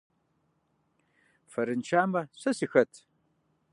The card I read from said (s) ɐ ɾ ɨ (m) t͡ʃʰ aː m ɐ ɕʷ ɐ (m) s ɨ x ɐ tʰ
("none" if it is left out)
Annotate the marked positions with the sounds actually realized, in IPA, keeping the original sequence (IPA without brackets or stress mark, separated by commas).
f, n, none